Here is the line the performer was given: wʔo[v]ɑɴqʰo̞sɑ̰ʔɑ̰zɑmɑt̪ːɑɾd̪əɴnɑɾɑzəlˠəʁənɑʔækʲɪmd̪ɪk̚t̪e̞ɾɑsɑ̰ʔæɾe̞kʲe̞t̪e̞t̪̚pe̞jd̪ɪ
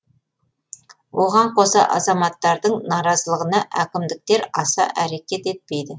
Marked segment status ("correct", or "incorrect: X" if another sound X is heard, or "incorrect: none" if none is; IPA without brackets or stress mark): incorrect: ʁ